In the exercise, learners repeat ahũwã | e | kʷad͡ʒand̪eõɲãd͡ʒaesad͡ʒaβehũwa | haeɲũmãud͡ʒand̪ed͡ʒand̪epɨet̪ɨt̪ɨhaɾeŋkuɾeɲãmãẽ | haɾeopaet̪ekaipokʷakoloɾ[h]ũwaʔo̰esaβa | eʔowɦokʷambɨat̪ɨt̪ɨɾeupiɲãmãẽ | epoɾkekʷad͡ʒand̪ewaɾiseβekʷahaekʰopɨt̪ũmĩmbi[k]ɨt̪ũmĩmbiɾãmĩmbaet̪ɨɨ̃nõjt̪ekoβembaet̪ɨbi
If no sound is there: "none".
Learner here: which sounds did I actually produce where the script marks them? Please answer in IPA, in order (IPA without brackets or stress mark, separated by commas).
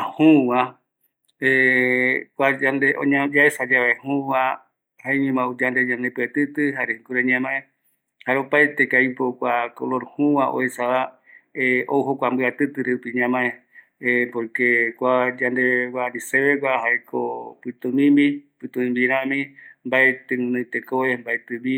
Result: h, p